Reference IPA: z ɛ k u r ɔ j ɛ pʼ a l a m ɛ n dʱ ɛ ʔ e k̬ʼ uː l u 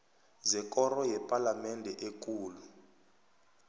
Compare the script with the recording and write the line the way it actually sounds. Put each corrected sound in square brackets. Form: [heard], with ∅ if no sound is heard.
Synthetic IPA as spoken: z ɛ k [ɔ] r ɔ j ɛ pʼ a l a m ɛ n dʱ ɛ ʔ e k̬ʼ uː l u